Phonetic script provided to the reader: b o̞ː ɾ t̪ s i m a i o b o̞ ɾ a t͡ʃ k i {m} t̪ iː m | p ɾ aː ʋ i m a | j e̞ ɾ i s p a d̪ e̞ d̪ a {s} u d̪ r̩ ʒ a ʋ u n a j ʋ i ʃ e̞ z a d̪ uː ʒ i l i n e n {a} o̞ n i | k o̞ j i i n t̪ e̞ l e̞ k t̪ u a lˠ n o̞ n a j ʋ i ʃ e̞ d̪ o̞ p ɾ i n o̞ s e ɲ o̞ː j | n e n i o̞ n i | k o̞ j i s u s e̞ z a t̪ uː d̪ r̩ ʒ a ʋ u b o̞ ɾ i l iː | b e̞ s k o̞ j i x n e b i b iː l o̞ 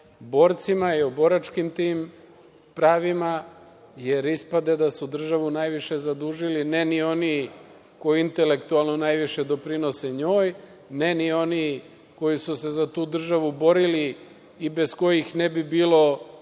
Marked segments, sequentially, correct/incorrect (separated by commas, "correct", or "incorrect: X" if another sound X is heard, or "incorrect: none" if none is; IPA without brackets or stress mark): correct, correct, incorrect: i